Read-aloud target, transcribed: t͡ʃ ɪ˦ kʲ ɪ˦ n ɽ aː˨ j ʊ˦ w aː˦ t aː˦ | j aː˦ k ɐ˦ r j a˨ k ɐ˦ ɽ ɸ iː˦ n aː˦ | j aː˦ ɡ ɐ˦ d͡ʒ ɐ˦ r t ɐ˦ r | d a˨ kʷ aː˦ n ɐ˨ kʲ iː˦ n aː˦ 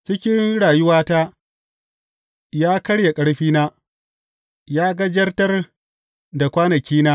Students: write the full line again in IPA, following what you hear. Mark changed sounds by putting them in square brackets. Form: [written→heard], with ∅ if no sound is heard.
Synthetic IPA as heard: t͡ʃ ɪ˦ kʲ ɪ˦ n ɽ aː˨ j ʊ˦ w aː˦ t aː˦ | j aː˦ k ɐ˦ [r→ɽ] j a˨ [k→kʼ] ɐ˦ ɽ ɸ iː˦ n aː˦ | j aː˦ ɡ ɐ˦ d͡ʒ ɐ˦ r t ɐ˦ r | d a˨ kʷ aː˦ n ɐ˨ kʲ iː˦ n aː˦